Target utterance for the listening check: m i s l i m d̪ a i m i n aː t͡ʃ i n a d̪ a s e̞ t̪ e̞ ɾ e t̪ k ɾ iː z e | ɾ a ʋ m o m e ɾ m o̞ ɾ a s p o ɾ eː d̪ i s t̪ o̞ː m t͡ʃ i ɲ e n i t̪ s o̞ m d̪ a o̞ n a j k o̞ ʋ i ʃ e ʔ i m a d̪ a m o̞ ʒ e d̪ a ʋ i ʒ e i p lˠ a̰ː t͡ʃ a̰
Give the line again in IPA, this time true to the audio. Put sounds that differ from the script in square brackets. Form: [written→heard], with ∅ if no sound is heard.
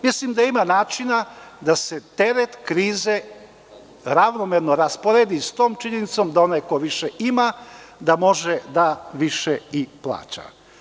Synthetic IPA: m i s l i m d̪ a i m [i→a] n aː t͡ʃ i n a d̪ a s e̞ t̪ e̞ ɾ e t̪ k ɾ iː z e | ɾ a ʋ [m→n] o m e ɾ [m→n] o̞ ɾ a s p o ɾ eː d̪ i s t̪ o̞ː m t͡ʃ i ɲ e n i t̪ s o̞ m d̪ a o̞ n a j k o̞ ʋ i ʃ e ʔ i m a d̪ a m o̞ ʒ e d̪ a ʋ i [ʒ→ʃ] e i p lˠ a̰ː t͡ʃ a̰

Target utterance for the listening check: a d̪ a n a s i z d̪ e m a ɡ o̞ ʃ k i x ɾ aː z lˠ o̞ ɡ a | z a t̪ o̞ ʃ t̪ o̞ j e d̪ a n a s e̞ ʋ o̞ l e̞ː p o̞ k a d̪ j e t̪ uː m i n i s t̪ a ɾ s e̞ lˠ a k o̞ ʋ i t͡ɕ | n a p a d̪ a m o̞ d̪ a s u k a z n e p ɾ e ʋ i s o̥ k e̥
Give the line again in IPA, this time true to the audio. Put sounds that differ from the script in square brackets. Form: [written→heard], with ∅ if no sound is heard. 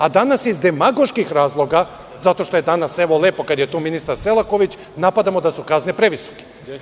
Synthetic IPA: a d̪ a n a s i z d̪ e m a ɡ o̞ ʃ k i x ɾ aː z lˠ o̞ ɡ a | z a t̪ o̞ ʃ t̪ o̞ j e d̪ a n a s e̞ ʋ o̞ l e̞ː p o̞ k a d̪ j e t̪ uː m i n i s t̪ a ɾ s e̞ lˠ a k o̞ ʋ i t͡ɕ | n a p a d̪ a m o̞ d̪ a s u k a z n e p ɾ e ʋ i s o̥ k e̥

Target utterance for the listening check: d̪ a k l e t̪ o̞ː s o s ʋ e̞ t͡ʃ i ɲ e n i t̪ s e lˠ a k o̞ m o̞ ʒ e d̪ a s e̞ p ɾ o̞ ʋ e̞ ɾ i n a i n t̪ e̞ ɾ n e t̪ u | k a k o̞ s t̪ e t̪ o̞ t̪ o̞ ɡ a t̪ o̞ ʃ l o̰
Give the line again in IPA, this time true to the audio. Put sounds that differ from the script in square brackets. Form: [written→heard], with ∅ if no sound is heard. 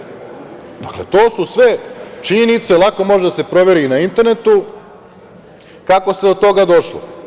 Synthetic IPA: d̪ a k l e t̪ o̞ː s [o→u] s ʋ e̞ t͡ʃ i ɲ e n i t̪ s e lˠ a k o̞ m o̞ ʒ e d̪ a s e̞ p ɾ o̞ ʋ e̞ ɾ i n a i n t̪ e̞ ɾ n e t̪ u | k a k o̞ s t̪ e [t̪→d̪] o̞ t̪ o̞ ɡ a [t̪→d̪] o̞ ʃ l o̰

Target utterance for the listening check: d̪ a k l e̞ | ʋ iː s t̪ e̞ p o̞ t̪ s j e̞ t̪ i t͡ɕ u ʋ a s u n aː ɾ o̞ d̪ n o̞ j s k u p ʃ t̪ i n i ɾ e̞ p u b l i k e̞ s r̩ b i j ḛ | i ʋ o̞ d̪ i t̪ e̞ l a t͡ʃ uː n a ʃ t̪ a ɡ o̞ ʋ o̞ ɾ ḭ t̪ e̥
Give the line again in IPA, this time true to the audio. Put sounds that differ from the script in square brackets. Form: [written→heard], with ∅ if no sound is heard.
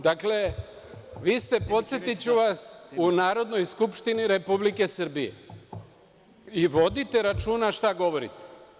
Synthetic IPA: d̪ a k l e̞ | ʋ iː s t̪ e̞ p o̞ t̪ s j e̞ t̪ i t͡ɕ u ʋ a s u n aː ɾ o̞ d̪ n o̞ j s k u p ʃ t̪ i n i ɾ e̞ p u b l i k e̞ s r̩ b i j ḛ | i ʋ o̞ d̪ i t̪ e̞ [l→ɾ] a t͡ʃ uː n a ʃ t̪ a ɡ o̞ ʋ o̞ ɾ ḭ t̪ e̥

